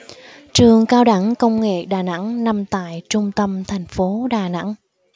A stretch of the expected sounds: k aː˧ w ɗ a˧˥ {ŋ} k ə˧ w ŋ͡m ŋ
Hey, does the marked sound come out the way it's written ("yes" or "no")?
yes